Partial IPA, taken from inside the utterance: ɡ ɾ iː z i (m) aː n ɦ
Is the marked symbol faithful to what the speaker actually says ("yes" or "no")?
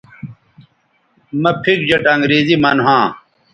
yes